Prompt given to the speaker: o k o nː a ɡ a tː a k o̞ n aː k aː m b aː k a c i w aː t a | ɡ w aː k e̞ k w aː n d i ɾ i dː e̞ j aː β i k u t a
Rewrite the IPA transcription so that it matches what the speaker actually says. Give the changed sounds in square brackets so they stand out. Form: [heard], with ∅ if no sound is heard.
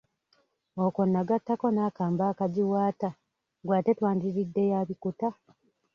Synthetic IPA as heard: o k o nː a ɡ a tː a k o̞ n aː k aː m b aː k a [ɟ] i w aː t a | ɡ w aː [t] e̞ [t] w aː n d i ɾ i dː e̞ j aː β i k u t a